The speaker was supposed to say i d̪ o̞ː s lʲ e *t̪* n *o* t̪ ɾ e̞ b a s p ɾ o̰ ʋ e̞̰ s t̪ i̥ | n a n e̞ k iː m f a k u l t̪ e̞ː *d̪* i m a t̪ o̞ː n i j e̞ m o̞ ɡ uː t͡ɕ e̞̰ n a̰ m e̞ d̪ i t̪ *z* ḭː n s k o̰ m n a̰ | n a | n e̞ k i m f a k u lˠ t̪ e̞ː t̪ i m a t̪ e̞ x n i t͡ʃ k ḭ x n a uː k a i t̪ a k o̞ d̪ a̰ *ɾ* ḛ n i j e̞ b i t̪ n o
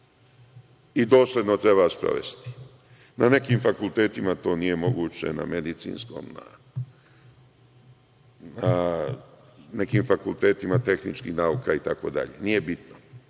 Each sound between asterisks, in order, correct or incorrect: incorrect, correct, incorrect, incorrect, incorrect

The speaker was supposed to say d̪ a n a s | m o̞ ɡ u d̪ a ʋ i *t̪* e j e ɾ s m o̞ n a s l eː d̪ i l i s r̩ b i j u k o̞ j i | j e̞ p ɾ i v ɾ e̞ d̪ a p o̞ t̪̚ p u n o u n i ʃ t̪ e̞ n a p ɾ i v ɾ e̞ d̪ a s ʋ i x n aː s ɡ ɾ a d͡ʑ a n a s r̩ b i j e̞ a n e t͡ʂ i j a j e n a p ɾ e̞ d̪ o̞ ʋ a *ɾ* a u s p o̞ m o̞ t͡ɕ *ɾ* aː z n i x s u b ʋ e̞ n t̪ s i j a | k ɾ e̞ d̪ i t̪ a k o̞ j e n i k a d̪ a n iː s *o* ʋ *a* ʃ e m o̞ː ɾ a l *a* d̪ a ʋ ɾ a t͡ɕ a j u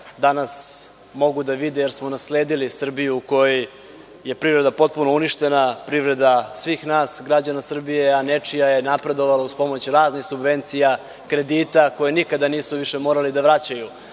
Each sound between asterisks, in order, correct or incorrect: incorrect, incorrect, correct, incorrect, incorrect, incorrect

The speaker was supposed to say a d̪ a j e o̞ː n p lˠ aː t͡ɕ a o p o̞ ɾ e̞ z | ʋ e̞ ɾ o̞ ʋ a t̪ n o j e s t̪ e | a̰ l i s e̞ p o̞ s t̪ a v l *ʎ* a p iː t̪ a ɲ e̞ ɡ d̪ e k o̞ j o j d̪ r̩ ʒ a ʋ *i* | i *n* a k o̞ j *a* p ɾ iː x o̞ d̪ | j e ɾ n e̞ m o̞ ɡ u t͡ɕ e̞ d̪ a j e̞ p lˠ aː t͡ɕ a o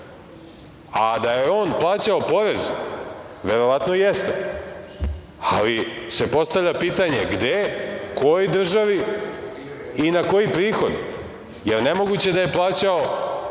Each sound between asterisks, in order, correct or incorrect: correct, correct, correct, incorrect

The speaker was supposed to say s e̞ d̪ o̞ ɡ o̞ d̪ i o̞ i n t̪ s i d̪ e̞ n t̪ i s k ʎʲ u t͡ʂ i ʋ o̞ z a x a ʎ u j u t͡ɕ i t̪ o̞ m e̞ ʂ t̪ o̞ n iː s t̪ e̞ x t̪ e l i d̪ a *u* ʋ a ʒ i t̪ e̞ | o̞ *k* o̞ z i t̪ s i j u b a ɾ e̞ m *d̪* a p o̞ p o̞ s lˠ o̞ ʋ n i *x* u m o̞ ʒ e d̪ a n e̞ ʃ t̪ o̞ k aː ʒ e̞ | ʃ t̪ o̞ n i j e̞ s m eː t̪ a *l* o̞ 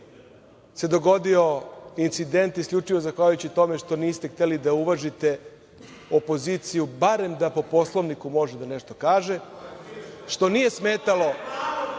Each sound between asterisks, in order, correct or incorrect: correct, incorrect, correct, incorrect, correct

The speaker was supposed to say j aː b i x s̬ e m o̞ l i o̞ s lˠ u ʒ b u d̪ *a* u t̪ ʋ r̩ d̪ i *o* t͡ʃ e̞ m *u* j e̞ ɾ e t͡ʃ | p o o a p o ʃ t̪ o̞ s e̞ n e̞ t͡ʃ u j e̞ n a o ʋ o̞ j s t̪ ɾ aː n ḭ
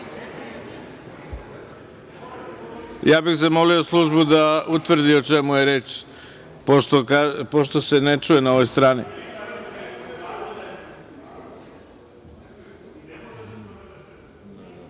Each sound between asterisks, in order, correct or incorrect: correct, correct, correct

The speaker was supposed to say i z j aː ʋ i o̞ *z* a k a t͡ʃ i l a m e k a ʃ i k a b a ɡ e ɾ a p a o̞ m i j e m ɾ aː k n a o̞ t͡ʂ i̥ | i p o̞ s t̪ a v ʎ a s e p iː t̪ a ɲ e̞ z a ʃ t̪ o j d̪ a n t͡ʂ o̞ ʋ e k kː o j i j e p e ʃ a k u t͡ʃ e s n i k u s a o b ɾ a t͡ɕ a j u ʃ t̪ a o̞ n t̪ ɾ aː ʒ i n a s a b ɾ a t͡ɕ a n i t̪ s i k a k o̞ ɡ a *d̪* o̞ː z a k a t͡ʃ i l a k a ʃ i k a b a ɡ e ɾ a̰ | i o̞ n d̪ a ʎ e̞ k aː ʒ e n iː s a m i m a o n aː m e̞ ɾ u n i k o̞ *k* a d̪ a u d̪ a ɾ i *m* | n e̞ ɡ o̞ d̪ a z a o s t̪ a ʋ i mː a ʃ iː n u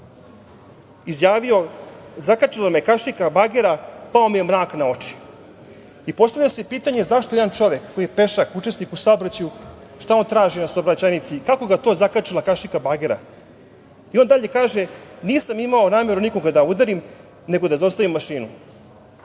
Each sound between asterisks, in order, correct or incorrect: correct, incorrect, incorrect, correct

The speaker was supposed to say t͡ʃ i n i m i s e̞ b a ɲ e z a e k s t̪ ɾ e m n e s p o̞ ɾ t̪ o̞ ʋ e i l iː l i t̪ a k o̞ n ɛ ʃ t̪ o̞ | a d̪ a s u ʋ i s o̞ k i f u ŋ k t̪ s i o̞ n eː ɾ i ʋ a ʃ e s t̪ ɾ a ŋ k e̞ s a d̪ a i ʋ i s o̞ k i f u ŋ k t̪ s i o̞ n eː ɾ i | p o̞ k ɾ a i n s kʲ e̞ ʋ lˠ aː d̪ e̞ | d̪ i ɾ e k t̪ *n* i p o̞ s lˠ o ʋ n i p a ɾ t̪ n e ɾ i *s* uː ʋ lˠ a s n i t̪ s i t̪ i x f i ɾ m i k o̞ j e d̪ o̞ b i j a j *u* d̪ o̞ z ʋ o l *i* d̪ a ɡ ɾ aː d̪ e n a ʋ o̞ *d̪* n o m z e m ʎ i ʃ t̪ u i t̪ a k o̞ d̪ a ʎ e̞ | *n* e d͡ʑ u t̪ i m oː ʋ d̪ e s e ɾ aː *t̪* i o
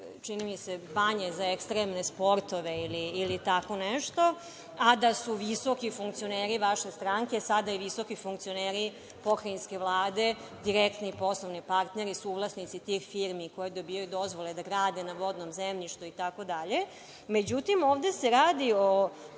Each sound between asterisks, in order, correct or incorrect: correct, correct, correct, incorrect, correct, incorrect, incorrect

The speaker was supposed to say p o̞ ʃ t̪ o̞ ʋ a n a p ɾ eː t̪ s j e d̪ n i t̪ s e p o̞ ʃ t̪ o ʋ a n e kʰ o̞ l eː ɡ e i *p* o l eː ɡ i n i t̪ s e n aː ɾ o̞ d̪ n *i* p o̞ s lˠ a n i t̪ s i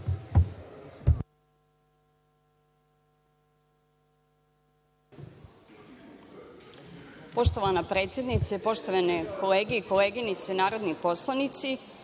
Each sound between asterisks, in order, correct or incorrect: incorrect, correct

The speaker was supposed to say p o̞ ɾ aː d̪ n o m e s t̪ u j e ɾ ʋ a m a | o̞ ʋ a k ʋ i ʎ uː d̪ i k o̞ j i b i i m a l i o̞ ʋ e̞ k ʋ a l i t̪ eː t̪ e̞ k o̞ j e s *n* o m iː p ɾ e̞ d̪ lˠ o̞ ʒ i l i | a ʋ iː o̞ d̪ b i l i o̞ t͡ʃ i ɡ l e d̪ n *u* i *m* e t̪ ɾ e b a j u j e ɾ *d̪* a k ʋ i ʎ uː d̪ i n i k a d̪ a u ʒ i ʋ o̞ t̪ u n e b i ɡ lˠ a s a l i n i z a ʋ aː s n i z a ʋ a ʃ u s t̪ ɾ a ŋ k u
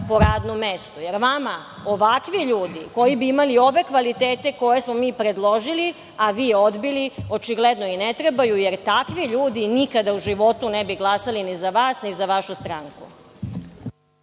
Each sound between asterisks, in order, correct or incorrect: incorrect, incorrect, incorrect, incorrect

